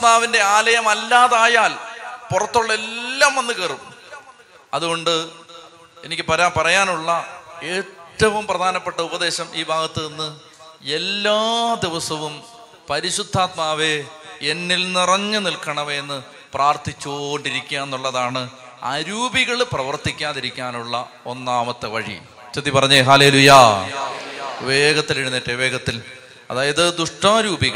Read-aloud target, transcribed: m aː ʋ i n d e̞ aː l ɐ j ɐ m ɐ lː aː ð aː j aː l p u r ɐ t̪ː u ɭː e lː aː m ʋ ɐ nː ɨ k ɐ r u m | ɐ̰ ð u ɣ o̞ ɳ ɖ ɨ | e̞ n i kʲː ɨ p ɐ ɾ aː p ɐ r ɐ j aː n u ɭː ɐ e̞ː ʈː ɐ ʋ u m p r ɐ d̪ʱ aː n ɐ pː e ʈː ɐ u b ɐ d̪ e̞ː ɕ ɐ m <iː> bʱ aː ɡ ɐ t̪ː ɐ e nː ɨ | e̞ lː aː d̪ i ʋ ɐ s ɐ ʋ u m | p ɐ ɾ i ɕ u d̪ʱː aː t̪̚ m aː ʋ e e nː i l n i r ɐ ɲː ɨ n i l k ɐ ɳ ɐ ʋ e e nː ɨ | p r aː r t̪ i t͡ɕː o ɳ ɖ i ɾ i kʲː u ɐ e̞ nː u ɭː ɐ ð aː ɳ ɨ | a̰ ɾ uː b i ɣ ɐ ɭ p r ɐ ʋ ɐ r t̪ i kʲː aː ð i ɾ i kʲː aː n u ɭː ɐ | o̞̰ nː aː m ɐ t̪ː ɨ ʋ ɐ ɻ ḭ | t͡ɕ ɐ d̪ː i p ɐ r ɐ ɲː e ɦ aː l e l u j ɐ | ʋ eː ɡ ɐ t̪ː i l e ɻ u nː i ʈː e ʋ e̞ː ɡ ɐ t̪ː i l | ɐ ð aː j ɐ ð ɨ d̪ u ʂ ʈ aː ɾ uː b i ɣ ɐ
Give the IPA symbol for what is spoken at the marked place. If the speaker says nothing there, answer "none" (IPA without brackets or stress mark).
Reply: iː